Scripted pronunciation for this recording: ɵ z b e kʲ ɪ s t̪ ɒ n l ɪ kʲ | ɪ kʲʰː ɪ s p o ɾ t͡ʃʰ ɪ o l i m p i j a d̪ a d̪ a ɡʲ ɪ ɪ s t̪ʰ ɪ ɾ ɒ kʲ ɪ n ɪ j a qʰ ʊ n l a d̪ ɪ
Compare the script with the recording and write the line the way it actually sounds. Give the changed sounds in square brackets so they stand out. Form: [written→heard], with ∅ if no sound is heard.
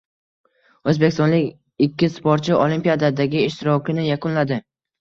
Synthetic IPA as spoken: ɵ z b e kʲ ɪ s t̪ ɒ n l ɪ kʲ | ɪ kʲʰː ɪ s p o ɾ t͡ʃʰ ɪ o l i m p i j a d̪ a d̪ a ɡʲ ɪ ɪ [s→ʃ] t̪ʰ ɪ ɾ ɒ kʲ ɪ n ɪ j a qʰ ʊ n l a d̪ ɪ